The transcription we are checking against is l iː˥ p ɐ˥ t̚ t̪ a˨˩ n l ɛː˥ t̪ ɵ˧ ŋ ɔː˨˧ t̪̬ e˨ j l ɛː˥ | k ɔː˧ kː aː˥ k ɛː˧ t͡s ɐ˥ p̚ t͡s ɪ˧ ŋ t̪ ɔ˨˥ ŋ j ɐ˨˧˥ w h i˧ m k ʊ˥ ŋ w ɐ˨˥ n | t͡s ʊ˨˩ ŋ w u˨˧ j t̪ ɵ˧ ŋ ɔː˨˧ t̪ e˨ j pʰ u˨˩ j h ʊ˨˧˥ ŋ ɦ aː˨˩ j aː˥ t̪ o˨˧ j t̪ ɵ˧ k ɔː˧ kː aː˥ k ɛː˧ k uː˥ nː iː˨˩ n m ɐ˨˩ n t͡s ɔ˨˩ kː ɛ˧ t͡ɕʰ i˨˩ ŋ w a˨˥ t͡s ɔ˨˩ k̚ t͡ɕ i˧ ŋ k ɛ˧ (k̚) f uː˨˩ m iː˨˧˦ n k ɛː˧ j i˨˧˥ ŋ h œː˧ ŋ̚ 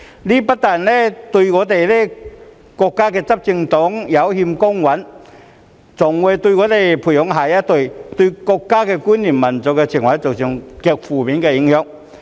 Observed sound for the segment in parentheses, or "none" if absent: k̚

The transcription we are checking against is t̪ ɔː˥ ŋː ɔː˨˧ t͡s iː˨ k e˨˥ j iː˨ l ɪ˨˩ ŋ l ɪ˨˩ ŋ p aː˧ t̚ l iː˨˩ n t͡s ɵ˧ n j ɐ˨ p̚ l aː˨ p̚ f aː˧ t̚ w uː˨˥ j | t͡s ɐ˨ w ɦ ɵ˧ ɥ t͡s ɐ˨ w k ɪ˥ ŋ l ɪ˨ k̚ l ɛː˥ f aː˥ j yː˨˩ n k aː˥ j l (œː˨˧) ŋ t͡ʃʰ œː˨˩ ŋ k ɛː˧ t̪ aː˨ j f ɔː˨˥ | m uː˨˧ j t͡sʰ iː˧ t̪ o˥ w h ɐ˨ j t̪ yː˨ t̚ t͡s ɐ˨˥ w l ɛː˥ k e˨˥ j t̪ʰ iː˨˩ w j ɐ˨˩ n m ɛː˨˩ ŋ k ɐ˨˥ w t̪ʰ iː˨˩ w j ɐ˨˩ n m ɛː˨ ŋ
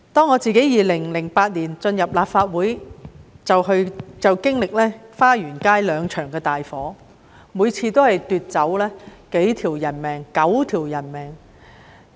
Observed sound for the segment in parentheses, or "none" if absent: œː˨˧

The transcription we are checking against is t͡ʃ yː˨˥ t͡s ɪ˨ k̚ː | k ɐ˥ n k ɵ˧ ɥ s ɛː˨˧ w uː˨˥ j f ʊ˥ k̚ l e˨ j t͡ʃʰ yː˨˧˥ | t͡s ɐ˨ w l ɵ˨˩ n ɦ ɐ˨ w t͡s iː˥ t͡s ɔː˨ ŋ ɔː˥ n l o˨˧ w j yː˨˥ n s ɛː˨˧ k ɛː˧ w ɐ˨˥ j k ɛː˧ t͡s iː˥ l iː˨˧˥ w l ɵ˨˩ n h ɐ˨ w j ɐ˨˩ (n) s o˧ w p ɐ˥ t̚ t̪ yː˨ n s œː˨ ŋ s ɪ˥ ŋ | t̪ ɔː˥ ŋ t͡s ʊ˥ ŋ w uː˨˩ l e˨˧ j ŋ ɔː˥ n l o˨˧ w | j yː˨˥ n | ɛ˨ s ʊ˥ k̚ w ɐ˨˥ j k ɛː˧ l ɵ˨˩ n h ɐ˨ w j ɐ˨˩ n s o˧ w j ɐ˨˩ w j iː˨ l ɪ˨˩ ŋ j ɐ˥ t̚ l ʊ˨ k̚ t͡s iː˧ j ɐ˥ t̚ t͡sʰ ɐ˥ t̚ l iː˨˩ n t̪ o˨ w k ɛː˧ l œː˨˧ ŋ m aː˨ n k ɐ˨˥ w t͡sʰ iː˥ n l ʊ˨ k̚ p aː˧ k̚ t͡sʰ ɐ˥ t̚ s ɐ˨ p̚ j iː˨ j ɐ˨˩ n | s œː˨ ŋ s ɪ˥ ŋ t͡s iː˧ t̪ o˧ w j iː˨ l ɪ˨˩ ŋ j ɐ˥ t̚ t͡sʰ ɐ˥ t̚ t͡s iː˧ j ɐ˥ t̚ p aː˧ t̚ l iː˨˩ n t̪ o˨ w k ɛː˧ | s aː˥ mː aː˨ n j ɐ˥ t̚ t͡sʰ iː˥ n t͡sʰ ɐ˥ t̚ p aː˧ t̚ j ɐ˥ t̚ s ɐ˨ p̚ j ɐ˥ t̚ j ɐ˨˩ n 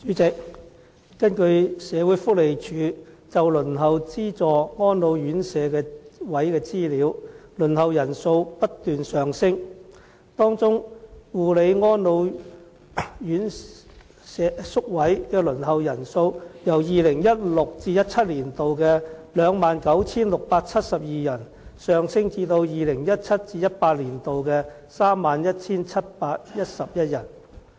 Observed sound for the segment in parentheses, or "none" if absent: n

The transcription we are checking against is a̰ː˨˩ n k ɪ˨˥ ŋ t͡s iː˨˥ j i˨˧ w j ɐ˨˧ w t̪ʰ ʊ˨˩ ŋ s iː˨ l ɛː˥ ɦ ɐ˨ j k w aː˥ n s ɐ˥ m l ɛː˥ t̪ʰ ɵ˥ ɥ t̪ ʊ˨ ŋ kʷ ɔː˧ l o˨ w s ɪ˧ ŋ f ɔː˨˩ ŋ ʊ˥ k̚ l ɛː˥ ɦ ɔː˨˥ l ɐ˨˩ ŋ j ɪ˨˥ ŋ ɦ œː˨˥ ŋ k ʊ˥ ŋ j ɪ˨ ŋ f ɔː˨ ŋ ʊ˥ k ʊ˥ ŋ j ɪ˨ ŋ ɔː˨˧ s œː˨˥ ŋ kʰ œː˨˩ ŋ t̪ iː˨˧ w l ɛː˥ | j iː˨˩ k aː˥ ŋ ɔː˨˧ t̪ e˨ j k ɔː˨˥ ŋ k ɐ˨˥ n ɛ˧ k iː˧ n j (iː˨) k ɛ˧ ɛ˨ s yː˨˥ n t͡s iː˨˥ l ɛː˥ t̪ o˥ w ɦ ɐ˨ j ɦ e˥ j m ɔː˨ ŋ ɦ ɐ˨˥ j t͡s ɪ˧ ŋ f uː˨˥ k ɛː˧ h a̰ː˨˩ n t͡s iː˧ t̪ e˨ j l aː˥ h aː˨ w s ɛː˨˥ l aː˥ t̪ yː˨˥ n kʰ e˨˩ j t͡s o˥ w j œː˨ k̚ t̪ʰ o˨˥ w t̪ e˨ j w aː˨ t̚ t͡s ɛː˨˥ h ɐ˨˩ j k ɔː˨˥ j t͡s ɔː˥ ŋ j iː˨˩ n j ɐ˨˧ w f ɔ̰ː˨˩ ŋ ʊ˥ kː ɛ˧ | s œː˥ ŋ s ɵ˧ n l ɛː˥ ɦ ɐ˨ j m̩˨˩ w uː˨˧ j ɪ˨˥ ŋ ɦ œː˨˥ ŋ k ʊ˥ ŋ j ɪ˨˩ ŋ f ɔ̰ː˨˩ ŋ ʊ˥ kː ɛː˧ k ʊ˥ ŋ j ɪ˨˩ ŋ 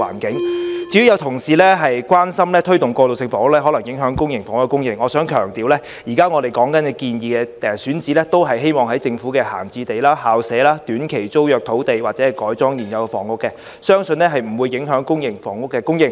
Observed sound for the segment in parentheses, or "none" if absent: iː˨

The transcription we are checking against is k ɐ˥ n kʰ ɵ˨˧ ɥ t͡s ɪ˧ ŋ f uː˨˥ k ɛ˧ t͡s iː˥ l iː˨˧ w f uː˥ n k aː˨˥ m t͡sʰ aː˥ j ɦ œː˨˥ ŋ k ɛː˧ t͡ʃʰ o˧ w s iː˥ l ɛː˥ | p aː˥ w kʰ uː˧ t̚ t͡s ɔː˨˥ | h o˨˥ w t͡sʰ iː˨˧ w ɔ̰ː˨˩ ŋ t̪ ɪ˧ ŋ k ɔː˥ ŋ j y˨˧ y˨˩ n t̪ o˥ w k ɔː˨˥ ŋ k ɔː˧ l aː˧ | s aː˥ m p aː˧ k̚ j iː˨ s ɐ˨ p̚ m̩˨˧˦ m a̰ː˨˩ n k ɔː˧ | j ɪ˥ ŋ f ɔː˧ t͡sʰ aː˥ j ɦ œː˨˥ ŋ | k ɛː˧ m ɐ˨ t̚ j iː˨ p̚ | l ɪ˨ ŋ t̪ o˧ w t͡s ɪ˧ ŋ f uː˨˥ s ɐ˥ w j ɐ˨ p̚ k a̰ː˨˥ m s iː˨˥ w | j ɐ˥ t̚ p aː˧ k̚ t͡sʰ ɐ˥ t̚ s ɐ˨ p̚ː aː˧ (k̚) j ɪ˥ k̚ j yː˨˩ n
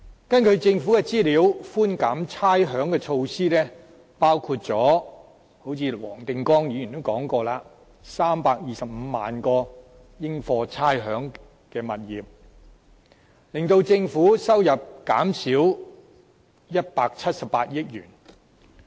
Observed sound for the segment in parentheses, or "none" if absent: t̚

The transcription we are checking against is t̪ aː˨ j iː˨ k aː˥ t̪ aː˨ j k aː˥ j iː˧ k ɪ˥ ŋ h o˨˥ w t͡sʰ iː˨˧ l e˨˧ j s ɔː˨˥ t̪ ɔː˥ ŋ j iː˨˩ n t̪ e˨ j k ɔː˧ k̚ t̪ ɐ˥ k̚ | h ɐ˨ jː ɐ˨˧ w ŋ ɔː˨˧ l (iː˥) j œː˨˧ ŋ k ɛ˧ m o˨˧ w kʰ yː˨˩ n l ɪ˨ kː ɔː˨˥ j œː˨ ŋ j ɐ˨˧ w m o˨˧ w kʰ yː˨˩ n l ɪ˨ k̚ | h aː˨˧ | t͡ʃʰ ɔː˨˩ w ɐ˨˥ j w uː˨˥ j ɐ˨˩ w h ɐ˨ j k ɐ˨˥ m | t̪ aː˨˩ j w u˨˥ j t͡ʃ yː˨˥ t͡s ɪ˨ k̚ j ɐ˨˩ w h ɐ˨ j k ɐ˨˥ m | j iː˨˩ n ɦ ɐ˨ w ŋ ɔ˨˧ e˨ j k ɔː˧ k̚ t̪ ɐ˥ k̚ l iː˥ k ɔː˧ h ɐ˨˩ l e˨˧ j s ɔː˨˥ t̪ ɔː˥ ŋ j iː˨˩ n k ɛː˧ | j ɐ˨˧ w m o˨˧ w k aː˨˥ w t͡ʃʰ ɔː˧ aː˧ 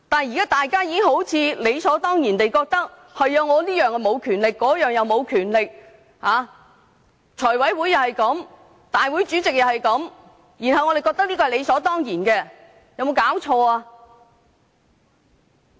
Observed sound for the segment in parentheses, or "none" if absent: iː˥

